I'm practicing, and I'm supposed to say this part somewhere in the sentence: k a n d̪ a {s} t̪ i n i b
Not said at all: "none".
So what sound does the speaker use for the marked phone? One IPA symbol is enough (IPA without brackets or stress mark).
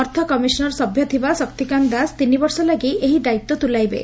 s